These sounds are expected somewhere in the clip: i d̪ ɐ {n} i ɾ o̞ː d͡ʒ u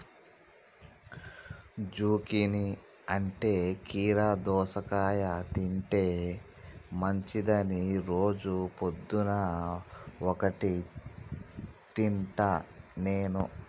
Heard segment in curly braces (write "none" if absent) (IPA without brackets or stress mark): n